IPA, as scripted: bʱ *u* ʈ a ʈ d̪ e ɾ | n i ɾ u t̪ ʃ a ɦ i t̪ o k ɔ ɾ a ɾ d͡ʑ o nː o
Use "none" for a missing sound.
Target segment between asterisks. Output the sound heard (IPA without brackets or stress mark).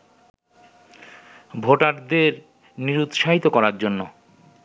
o